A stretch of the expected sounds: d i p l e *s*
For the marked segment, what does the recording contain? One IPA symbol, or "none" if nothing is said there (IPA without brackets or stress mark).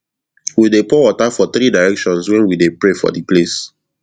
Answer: s